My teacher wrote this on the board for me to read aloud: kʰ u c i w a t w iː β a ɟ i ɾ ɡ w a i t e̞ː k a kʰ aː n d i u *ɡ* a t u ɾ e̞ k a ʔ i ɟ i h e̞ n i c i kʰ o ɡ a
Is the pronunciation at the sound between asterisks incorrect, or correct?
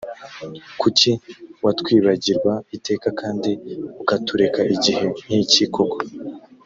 incorrect